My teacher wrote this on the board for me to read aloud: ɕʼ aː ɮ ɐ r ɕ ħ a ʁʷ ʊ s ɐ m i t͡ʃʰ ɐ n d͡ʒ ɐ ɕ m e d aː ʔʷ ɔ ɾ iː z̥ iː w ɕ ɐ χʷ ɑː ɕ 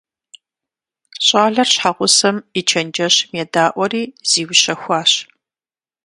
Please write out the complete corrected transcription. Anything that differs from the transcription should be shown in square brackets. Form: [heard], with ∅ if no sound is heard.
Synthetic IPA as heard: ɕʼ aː ɮ ɐ r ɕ ħ a ʁʷ ʊ s ɐ m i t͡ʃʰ ɐ n d͡ʒ ɐ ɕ m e d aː ʔʷ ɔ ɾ iː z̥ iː w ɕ ɐ [xʷ] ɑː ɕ